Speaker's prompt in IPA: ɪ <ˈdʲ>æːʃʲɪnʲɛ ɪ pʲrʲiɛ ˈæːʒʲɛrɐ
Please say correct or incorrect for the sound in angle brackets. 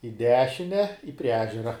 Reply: correct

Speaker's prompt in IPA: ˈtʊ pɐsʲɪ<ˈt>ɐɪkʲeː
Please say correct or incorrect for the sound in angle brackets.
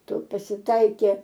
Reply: correct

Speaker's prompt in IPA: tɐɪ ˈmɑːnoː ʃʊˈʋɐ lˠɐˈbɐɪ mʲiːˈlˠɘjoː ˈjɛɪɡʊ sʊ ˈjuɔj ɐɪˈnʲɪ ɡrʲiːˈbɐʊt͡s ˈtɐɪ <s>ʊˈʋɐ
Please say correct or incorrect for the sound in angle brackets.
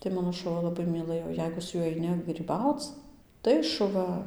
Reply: incorrect: ʃ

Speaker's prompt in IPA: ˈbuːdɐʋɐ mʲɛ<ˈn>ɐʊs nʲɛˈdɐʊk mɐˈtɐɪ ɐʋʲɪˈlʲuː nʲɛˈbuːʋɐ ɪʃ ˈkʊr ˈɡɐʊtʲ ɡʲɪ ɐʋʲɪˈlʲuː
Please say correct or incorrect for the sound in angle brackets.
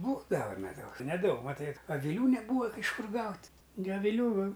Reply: incorrect: d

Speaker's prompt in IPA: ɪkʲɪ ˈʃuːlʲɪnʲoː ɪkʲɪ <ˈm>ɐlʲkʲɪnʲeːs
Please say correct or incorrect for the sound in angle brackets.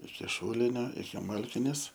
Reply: correct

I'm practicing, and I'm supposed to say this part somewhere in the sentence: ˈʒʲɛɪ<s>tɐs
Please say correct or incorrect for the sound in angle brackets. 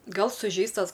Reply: correct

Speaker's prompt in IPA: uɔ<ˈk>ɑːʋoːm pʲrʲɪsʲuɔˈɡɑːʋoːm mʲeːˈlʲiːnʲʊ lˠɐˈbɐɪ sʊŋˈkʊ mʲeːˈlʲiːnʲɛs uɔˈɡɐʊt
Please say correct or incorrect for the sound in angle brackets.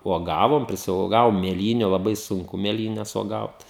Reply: incorrect: ɡ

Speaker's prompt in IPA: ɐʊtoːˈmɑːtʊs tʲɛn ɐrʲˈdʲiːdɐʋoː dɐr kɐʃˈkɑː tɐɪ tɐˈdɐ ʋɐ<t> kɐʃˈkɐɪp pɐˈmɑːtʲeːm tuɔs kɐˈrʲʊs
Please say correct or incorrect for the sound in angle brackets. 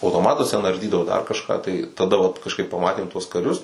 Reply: correct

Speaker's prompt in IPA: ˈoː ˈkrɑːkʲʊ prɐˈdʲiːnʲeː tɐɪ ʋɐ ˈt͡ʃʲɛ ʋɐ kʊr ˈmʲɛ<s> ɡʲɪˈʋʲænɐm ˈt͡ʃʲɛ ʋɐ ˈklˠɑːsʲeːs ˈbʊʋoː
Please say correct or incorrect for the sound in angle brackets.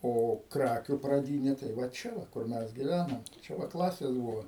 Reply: correct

